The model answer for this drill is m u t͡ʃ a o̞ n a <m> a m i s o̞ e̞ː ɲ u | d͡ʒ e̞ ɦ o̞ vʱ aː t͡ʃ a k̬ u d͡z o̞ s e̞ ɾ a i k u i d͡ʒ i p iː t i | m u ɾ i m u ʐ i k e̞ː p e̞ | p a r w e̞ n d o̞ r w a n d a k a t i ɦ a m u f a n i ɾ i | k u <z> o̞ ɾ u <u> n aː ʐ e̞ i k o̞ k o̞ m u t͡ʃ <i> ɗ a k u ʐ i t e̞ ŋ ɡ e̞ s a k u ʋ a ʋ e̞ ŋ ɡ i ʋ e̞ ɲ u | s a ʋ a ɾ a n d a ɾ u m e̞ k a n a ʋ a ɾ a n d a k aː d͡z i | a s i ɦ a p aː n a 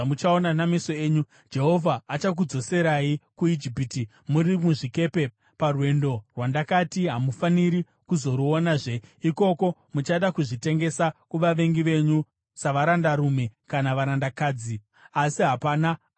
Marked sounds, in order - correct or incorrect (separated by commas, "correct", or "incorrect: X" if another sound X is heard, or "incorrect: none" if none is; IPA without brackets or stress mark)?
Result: incorrect: n, correct, incorrect: o, incorrect: a